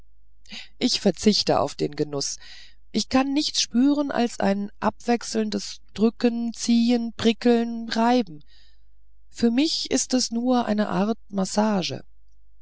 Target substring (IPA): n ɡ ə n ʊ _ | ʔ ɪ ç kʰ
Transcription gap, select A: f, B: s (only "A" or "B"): B